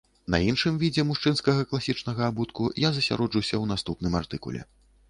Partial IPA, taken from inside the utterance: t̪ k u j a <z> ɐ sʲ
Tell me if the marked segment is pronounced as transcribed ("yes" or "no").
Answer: yes